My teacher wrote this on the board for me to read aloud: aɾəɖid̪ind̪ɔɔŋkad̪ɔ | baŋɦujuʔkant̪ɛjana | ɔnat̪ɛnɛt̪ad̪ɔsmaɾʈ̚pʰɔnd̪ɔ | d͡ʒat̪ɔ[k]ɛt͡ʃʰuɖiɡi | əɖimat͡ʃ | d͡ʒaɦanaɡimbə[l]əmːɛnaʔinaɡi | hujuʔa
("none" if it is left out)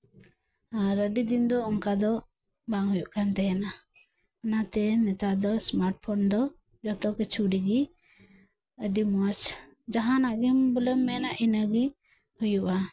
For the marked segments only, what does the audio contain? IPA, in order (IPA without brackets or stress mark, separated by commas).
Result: k, l